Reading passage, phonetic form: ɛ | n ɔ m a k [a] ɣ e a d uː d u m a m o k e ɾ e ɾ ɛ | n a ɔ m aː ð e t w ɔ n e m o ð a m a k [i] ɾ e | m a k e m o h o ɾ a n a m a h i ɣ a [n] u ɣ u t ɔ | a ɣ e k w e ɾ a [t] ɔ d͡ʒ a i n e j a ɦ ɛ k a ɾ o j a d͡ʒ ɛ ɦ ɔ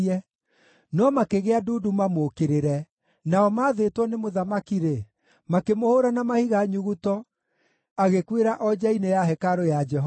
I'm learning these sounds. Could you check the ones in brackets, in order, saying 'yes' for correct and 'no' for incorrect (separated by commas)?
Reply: no, yes, no, no